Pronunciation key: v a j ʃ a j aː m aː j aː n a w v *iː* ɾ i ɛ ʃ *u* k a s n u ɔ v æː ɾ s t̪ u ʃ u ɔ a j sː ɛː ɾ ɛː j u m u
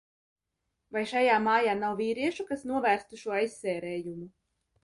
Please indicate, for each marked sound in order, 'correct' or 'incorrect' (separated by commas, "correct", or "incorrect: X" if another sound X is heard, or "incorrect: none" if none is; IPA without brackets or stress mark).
correct, correct